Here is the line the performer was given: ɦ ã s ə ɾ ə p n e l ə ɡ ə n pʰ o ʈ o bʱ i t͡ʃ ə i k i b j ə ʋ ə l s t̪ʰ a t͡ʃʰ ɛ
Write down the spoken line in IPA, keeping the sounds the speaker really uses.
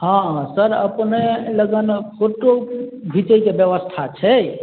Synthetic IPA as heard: ɦ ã s ə ɾ ə p n e l ə ɡ ə n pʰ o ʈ o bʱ i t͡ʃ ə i k e b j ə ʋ ə s t̪ʰ a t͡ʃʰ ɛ